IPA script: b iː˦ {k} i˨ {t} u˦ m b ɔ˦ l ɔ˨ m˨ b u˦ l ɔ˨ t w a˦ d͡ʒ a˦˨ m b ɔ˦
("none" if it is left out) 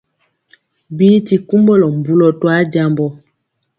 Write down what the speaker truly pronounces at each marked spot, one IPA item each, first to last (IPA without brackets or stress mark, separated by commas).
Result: t, k